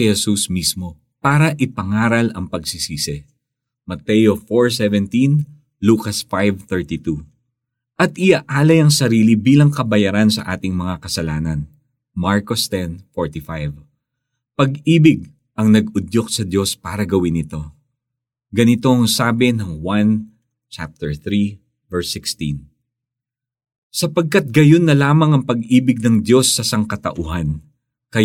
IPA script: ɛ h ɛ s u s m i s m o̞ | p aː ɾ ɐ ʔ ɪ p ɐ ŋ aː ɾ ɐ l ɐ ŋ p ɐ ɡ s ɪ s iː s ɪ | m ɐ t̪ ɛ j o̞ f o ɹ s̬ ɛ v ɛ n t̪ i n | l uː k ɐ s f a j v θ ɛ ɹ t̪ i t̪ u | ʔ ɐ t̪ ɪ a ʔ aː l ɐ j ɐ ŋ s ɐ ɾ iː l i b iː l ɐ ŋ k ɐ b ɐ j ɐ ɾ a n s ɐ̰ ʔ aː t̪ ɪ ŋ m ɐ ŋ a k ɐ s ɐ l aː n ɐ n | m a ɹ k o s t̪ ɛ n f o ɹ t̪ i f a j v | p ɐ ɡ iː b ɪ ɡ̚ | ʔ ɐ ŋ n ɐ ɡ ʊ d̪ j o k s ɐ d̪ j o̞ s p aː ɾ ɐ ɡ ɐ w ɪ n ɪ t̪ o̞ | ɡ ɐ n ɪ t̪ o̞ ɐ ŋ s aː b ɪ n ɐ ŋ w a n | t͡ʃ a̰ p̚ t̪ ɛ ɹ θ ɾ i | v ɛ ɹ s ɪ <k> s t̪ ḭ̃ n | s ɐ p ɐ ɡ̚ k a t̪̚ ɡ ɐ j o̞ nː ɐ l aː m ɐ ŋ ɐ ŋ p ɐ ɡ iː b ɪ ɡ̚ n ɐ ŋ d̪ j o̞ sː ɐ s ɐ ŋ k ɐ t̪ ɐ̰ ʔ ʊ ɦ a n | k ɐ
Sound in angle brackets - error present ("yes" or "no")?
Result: no